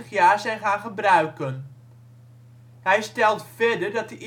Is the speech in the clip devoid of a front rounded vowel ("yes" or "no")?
no